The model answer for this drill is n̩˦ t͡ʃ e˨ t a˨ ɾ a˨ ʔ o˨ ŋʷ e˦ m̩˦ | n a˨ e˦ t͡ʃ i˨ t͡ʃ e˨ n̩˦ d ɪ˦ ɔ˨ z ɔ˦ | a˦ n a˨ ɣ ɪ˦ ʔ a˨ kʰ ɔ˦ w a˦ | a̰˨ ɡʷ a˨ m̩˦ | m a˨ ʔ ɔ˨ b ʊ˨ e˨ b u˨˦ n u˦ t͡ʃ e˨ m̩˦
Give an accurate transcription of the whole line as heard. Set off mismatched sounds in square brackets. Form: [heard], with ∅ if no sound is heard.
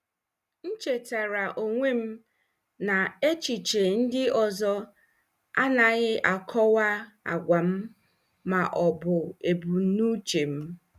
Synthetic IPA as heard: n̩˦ t͡ʃ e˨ t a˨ ɾ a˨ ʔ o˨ ŋʷ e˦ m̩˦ | n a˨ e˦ t͡ʃ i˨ t͡ʃ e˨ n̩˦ d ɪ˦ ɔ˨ z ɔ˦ | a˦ n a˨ ɣ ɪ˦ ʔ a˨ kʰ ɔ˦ w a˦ | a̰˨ ɡʷ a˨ m̩˦ | m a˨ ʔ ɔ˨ b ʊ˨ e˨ b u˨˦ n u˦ t͡ʃ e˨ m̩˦